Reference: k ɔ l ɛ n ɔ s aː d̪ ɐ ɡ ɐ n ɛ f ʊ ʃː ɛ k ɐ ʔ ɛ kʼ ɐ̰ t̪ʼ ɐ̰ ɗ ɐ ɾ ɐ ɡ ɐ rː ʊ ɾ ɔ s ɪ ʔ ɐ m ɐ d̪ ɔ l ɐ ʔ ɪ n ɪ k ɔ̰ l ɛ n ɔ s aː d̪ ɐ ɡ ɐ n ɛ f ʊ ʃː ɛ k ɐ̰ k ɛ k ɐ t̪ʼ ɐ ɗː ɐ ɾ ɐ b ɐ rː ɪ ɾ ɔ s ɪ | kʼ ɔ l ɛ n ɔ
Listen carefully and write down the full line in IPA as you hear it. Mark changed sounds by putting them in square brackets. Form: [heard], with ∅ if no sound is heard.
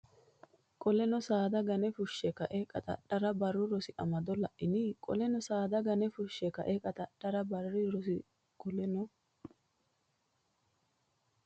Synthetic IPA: [kʼ] ɔ l ɛ n ɔ s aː d̪ ɐ ɡ ɐ n ɛ f ʊ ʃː ɛ k ɐ ʔ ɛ kʼ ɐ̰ t̪ʼ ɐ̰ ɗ ɐ ɾ ɐ [b] ɐ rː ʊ ɾ ɔ s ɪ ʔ ɐ m ɐ d̪ ɔ l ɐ ʔ ɪ n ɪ [kʼ] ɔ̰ l ɛ n ɔ s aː d̪ ɐ ɡ ɐ n ɛ f ʊ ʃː ɛ k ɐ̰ [ʔ] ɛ [kʼ] ɐ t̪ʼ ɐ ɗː ɐ ɾ ɐ b ɐ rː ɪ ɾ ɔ s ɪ | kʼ ɔ l ɛ n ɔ